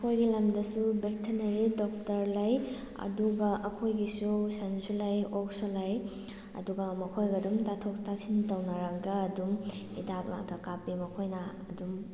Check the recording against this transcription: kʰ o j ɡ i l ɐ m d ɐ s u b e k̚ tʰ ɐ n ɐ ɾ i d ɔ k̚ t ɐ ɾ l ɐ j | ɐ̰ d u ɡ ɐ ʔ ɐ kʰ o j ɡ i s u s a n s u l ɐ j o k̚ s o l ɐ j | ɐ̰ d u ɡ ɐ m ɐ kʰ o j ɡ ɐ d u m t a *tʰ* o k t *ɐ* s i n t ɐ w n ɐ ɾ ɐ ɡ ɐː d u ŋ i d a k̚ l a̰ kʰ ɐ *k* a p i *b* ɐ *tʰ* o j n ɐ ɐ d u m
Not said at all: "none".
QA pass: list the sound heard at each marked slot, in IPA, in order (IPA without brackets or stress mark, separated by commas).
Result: tʰ, a, k, m, kʰ